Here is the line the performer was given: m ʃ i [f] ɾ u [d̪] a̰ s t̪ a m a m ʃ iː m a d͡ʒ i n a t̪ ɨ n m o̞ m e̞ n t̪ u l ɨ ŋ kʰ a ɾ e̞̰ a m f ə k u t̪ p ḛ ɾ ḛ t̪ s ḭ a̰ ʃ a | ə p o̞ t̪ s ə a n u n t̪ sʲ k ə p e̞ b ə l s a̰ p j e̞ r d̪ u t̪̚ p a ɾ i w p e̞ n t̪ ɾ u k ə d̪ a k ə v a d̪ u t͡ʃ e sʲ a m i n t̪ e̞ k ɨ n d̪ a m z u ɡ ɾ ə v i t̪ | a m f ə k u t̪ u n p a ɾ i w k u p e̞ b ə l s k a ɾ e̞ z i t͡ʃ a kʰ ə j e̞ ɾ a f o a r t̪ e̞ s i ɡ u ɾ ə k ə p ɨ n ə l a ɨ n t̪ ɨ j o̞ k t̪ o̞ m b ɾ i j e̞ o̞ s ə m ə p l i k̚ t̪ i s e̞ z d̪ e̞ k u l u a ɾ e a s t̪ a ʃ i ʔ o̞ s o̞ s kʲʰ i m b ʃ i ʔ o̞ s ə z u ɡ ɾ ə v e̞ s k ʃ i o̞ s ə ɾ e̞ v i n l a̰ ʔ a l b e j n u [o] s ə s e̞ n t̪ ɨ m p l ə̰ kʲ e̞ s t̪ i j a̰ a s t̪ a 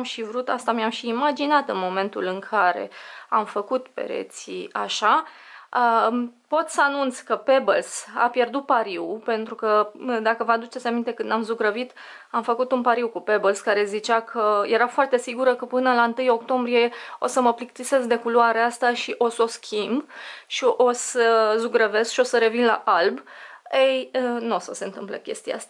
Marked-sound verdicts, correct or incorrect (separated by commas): incorrect, incorrect, correct